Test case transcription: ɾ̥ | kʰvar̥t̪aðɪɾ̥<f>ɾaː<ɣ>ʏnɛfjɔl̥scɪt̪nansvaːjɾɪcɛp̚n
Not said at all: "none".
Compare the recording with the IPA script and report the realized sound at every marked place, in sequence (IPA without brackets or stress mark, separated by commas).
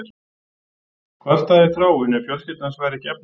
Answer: θ, w